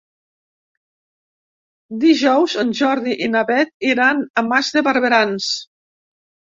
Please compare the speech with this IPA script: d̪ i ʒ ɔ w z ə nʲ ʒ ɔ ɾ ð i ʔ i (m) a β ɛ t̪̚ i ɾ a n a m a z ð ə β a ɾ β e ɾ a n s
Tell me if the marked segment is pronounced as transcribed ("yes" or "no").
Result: no